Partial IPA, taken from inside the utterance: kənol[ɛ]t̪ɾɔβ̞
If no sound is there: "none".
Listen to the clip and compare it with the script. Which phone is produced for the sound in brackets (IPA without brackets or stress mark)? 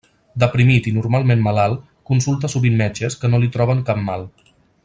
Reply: i